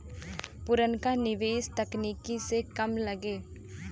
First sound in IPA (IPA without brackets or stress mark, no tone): p